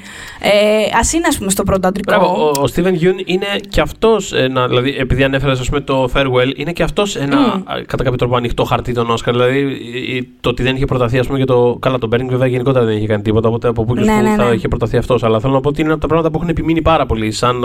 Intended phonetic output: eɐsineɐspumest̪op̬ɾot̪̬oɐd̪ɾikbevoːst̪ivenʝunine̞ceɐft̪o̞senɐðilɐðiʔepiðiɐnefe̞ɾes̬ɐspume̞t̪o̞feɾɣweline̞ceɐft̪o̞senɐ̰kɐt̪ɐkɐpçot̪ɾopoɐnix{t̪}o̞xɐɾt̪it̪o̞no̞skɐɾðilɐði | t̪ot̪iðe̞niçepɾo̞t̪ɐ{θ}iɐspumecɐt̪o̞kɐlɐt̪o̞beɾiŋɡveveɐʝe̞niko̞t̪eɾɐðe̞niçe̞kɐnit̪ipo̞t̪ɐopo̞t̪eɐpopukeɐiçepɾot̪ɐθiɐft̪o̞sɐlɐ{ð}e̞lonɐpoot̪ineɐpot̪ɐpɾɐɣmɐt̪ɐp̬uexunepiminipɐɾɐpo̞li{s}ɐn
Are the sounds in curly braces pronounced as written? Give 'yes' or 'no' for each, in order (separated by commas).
yes, yes, no, yes